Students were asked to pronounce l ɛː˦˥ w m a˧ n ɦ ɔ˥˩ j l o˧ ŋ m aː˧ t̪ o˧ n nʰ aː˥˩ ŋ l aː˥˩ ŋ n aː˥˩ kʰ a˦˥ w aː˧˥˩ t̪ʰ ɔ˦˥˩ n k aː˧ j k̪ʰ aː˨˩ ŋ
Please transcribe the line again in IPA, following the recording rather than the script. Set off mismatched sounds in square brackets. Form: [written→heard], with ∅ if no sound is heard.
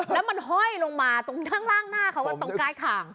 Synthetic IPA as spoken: l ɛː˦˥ w m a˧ n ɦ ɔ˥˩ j l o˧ ŋ m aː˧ t̪ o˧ [n→ŋ] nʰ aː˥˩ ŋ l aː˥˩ ŋ n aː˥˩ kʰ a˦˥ w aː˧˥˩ [t̪ʰ→t̪] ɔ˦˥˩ [n→ŋ] k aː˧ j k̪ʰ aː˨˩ ŋ

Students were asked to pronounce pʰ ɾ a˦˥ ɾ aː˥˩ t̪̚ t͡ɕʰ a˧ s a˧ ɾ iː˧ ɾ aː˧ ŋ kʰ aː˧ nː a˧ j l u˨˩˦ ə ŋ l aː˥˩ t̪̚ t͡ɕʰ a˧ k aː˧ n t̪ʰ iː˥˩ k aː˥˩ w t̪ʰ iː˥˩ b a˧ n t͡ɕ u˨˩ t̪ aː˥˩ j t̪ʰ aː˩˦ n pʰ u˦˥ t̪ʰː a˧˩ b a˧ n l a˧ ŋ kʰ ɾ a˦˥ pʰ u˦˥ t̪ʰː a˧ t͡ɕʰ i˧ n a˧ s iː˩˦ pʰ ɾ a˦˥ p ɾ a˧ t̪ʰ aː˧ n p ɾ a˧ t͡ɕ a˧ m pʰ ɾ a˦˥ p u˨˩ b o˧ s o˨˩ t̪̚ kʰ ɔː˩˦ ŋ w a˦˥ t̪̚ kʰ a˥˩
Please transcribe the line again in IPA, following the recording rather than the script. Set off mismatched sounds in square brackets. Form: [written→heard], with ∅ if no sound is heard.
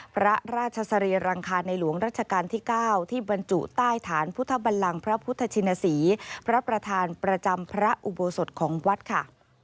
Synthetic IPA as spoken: pʰ ɾ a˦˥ ɾ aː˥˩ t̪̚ t͡ɕʰ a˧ s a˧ ɾ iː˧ ɾ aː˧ ŋ kʰ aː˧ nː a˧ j l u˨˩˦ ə ŋ [l→ɾ] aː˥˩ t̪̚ t͡ɕʰ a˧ k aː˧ n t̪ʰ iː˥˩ k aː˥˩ w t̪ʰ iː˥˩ b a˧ n t͡ɕ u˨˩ t̪ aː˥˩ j t̪ʰ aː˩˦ n pʰ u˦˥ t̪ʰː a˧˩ b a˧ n l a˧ ŋ [kʰ→pʰ] ɾ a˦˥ pʰ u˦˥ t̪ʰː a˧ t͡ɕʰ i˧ n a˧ s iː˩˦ pʰ ɾ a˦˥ p ɾ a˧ t̪ʰ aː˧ n p ɾ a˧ t͡ɕ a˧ m pʰ ɾ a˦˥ [p→ʔ] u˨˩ b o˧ s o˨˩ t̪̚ kʰ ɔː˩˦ ŋ w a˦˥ t̪̚ kʰ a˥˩

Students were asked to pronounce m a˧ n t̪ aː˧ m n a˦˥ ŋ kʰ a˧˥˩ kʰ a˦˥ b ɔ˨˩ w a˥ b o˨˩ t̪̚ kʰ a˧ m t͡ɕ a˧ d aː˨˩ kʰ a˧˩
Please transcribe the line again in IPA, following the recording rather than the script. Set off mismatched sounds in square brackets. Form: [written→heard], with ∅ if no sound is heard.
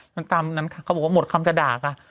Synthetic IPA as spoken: m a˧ n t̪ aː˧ m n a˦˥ [ŋ→n] kʰ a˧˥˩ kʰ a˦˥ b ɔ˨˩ w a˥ [b→m] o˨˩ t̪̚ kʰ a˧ m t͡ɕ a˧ d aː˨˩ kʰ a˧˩

